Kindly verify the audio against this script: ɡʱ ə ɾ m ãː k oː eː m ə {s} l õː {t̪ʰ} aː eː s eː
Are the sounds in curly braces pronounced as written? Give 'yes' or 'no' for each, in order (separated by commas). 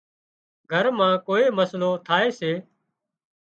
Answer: yes, yes